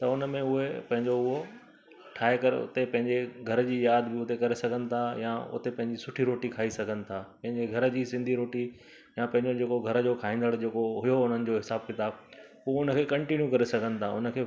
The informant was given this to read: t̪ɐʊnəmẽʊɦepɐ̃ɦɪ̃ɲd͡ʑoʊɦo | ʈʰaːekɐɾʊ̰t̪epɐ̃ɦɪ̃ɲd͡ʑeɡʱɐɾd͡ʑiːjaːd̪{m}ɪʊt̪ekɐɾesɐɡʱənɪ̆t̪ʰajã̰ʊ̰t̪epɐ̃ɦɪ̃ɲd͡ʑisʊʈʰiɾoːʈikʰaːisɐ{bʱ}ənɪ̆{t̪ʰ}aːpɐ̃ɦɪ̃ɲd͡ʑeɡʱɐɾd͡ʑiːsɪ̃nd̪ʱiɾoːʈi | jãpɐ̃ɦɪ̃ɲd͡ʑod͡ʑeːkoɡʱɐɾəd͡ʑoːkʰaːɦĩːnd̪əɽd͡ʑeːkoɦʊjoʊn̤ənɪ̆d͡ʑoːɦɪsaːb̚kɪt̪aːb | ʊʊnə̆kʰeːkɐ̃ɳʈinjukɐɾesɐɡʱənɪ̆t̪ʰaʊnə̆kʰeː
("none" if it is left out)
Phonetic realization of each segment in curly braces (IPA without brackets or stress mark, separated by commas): b, ɡʱ, t̪ʰ